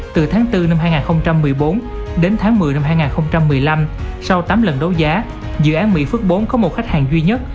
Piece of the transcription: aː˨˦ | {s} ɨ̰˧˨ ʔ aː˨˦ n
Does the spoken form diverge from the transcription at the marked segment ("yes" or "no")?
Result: yes